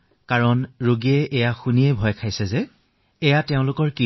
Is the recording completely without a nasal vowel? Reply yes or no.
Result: no